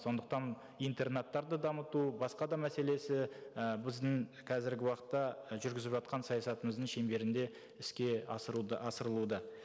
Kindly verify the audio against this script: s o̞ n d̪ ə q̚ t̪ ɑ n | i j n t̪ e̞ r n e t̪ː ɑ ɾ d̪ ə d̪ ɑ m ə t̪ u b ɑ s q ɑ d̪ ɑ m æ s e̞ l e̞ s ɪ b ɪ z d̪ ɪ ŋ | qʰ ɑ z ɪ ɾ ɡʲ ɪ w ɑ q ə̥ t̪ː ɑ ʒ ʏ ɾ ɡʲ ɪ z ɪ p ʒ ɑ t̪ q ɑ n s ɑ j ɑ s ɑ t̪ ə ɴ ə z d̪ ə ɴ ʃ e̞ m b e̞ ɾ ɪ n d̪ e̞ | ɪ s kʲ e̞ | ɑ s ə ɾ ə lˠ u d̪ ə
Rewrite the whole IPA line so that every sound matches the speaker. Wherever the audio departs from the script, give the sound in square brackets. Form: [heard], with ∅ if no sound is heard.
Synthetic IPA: s o̞ n d̪ ə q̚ t̪ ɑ n | i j n t̪ e̞ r n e t̪ː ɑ ɾ d̪ ə d̪ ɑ m ə t̪ u b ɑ s q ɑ d̪ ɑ m æ s e̞ l e̞ s ɪ b ɪ z d̪ ɪ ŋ | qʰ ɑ z ɪ ɾ ɡʲ ɪ w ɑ q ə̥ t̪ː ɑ ʒ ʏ ɾ ɡʲ ɪ z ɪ p ʒ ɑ t̪ q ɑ n s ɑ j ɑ s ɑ t̪ ə [m] ə z d̪ ə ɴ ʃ e̞ m b e̞ ɾ ɪ n d̪ e̞ | ɪ s kʲ e̞ | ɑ s ə ɾ ə lˠ u d̪ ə